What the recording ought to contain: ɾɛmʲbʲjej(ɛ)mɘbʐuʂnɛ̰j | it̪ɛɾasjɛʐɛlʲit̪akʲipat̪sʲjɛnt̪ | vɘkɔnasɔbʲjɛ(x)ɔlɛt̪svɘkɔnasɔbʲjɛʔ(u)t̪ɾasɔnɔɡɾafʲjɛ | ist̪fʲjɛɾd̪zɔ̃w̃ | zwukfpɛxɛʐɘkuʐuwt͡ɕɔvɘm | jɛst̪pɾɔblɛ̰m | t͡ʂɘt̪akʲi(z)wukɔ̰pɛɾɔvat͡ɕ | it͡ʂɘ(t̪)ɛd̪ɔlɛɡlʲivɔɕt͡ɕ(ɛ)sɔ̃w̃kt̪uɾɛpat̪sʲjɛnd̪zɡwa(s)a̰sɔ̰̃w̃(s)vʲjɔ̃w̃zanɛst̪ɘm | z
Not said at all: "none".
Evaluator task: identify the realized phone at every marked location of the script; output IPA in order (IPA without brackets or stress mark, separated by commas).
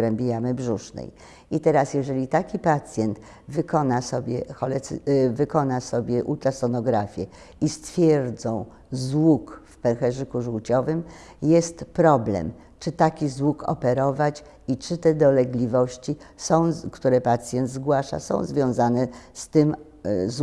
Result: a, x, u, z, t̪, i, ʂ, z